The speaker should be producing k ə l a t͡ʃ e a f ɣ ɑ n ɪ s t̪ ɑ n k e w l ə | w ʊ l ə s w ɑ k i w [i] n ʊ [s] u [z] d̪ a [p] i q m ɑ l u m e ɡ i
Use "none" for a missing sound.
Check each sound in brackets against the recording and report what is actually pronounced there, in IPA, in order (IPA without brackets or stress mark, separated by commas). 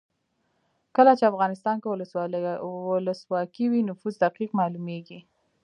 i, f, z, q